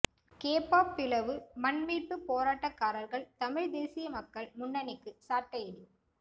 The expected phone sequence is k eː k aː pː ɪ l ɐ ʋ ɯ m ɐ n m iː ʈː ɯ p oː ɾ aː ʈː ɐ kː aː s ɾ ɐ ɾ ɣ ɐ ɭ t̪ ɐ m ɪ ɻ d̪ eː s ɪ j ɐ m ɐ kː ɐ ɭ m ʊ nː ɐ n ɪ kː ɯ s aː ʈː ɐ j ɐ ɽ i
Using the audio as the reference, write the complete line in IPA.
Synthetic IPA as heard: k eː p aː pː ɪ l ɐ ʋ ɯ m ɐ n m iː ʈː ɯ p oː ɾ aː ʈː ɐ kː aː ɾ ɐ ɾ ɣ ɐ ɭ t̪ ɐ m ɪ ɻ d̪ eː s ɪ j ɐ m ɐ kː ɐ ɭ m ʊ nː ɐ n ɪ kː ɯ s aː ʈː ɐ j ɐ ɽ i